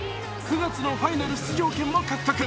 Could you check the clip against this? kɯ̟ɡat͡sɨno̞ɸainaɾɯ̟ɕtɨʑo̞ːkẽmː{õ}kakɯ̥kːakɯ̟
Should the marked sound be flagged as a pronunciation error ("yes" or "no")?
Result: yes